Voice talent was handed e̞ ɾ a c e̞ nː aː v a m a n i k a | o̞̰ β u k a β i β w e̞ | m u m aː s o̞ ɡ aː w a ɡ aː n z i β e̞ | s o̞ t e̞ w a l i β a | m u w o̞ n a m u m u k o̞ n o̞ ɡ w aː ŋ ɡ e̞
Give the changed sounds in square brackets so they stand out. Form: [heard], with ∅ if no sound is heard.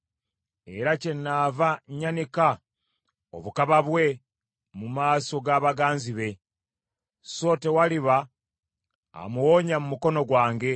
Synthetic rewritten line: e̞ ɾ a c e̞ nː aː v a [ɲ] a n i k a | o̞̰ β u k a β [a] β w e̞ | m u m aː s o̞ ɡ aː [β] a ɡ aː n z i β e̞ | s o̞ t e̞ w a l i β a | m u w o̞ [ɲ] a m u m u k o̞ n o̞ ɡ w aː ŋ ɡ e̞